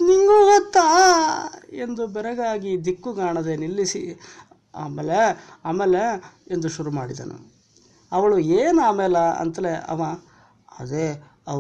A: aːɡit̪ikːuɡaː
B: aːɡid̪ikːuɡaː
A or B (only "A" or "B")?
B